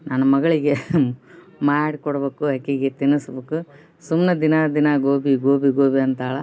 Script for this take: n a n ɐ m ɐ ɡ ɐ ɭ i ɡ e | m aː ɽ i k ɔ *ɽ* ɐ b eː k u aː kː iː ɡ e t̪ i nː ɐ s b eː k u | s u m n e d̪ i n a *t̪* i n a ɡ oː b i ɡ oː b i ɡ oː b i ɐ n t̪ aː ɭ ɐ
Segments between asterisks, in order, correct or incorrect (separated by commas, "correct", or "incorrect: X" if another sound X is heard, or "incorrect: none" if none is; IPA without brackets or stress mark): correct, incorrect: d̪